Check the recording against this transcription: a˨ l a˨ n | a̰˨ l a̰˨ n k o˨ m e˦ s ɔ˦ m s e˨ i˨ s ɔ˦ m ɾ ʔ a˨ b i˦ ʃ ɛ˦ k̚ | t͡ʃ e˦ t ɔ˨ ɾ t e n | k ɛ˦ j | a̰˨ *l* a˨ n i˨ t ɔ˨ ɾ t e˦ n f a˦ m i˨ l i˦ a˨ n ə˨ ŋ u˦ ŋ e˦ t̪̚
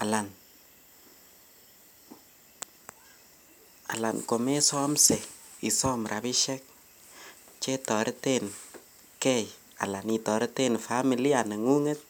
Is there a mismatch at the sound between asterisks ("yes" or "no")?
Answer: no